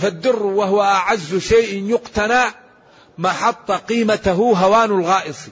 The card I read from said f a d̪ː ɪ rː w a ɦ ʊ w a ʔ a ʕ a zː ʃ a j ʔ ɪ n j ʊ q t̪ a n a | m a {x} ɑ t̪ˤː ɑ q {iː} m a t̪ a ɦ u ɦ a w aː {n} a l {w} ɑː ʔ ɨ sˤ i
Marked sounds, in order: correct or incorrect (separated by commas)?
incorrect, correct, correct, incorrect